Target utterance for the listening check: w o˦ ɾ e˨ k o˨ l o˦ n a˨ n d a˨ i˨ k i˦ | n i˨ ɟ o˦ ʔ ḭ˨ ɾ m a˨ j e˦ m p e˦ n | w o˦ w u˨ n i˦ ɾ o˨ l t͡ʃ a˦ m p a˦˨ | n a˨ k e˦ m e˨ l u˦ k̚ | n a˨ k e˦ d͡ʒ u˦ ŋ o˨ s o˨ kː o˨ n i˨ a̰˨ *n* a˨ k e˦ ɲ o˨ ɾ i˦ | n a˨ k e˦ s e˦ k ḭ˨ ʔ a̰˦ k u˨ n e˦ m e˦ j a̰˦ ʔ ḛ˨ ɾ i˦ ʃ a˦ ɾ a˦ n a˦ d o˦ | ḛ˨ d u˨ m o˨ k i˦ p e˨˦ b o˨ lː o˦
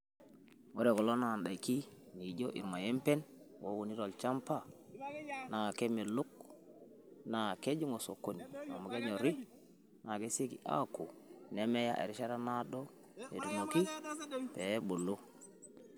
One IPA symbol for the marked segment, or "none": m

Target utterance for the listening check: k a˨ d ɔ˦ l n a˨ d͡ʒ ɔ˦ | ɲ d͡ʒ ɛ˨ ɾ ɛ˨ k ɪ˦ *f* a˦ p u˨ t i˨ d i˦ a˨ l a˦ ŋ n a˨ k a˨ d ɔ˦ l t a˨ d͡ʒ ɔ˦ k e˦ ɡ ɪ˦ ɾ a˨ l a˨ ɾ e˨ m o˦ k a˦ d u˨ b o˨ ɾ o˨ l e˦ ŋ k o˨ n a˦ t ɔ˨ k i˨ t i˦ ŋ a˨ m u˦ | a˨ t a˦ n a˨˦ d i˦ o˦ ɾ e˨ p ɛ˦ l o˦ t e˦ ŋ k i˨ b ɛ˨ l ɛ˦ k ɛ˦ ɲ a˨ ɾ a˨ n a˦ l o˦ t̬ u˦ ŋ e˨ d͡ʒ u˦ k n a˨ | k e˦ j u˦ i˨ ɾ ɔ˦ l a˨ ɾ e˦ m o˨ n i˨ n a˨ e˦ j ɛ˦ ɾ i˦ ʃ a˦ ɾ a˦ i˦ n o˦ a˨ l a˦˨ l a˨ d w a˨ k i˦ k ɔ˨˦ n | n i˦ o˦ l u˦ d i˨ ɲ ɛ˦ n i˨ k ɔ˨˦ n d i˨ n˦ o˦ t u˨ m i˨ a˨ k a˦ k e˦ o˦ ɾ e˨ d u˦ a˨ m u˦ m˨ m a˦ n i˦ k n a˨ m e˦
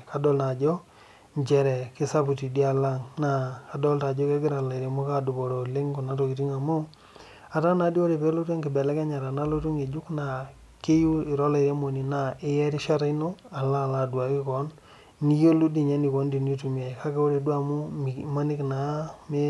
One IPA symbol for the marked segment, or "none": s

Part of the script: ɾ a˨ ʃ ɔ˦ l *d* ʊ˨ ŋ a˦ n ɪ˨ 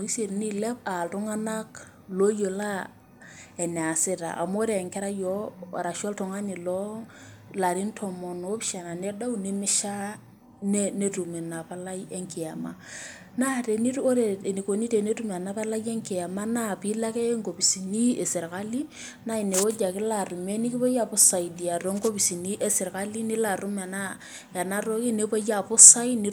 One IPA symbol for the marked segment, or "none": t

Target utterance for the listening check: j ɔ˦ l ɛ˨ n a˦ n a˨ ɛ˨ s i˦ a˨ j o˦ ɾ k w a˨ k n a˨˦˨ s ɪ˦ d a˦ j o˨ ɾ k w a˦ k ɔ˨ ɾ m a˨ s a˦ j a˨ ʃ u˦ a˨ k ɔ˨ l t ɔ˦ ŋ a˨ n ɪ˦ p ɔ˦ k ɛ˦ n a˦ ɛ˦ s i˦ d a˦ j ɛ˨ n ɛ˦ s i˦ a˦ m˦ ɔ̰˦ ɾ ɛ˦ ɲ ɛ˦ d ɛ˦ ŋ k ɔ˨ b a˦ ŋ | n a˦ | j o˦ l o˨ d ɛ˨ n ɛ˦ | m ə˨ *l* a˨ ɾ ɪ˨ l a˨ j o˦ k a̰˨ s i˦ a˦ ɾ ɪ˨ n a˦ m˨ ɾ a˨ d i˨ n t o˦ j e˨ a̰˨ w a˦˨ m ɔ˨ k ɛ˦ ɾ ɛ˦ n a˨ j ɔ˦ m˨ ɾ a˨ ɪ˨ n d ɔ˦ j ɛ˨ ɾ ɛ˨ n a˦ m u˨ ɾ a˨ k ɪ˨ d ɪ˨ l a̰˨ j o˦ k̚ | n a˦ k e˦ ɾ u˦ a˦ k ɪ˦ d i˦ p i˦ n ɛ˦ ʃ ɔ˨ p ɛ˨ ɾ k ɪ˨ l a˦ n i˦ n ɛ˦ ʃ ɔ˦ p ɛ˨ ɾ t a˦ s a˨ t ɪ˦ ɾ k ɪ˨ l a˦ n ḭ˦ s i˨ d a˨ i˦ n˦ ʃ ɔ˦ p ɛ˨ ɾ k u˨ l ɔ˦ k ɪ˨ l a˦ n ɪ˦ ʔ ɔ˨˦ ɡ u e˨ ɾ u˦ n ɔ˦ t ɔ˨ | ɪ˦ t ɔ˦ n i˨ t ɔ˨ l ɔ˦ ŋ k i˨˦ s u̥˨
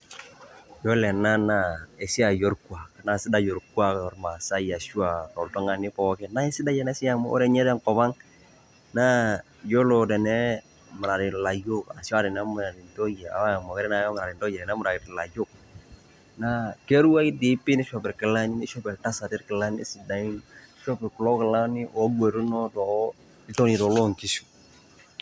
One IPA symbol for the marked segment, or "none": ɾ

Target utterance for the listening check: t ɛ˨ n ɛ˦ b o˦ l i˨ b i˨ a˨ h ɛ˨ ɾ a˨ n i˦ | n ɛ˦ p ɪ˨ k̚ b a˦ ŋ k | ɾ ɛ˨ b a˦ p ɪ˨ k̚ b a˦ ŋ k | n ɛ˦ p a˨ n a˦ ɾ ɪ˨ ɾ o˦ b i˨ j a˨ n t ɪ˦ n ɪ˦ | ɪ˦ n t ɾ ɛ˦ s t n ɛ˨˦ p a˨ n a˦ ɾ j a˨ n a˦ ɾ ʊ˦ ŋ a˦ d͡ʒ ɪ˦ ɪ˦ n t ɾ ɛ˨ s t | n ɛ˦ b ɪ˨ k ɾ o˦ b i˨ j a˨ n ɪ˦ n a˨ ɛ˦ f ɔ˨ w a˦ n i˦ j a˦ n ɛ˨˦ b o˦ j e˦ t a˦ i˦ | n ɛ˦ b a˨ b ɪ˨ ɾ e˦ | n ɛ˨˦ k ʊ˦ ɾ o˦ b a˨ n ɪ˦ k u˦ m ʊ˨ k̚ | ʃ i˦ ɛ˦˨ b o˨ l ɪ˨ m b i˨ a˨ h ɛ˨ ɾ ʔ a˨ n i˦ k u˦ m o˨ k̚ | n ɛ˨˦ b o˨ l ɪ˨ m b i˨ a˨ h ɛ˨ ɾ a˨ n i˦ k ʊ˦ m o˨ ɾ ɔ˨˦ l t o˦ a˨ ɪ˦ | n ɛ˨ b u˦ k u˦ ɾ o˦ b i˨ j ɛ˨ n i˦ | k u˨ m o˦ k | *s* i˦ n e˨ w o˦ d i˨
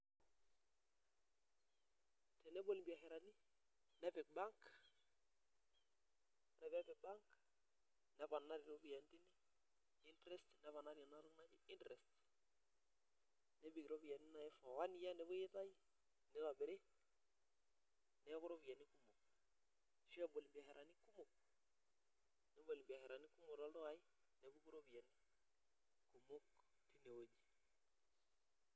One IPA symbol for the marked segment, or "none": t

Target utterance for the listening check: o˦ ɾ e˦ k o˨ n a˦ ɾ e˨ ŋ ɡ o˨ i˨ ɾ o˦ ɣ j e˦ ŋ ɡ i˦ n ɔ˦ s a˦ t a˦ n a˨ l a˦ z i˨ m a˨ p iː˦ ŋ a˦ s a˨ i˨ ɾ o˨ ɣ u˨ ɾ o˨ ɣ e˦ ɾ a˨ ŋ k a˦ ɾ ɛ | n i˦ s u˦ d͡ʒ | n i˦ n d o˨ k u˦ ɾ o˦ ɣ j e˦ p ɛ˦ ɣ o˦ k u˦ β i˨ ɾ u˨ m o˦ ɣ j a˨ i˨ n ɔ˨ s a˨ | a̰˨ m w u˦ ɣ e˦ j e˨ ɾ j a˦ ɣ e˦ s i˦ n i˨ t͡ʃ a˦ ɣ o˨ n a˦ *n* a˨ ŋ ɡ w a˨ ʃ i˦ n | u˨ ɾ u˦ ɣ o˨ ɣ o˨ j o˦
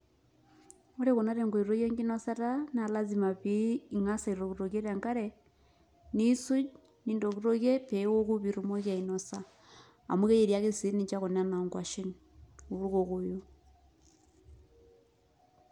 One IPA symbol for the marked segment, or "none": n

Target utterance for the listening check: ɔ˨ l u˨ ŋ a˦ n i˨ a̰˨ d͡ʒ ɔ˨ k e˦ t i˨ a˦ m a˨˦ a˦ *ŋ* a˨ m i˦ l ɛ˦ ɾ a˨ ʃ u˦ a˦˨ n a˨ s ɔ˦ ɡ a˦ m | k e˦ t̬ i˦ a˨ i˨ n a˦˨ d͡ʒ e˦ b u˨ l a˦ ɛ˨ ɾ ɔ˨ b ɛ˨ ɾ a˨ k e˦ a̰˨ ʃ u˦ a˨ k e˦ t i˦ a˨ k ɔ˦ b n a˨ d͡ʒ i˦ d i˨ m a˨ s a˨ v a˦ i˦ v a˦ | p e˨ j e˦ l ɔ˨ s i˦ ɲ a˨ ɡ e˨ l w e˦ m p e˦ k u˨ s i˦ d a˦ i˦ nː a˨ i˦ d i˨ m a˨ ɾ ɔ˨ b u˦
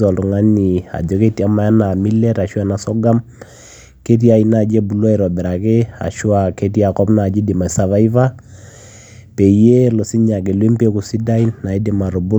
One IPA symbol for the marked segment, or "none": n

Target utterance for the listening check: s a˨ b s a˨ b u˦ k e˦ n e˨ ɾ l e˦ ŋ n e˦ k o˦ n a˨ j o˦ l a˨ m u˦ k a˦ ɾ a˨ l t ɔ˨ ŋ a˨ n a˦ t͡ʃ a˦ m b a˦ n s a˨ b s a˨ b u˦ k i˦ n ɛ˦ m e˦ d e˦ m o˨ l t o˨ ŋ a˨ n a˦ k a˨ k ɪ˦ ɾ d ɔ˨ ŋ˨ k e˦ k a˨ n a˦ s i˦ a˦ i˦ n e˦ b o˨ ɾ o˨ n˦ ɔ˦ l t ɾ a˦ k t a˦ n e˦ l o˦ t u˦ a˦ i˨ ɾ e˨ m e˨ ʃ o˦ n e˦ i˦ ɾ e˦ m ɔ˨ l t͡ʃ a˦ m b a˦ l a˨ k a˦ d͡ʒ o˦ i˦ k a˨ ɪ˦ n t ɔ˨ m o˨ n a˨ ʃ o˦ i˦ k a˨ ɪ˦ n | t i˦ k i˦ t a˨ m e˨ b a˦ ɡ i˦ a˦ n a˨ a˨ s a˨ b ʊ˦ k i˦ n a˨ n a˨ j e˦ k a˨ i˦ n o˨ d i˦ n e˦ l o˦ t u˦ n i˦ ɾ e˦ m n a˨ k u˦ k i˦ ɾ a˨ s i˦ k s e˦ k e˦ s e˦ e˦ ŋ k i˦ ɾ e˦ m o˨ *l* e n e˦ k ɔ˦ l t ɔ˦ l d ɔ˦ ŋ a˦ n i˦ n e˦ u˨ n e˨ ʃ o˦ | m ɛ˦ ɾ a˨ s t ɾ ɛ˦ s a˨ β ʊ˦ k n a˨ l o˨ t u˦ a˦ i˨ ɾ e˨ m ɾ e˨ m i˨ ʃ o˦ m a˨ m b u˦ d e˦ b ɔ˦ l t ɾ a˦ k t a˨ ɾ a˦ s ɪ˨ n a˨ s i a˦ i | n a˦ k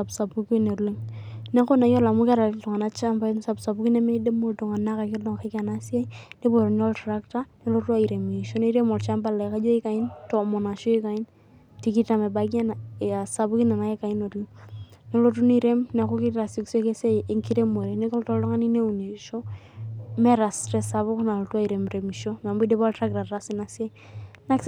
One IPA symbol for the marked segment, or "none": ɾ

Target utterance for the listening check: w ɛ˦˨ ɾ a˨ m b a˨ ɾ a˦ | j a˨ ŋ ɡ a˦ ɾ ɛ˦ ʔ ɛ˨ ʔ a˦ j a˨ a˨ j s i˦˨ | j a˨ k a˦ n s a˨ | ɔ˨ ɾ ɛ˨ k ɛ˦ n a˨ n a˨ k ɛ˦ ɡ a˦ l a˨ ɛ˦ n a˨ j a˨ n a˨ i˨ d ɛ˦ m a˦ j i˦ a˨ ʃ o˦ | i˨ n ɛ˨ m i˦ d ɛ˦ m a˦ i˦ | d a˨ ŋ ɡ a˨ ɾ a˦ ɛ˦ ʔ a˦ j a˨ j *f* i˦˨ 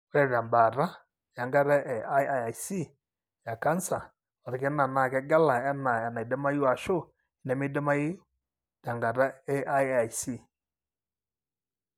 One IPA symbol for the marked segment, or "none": s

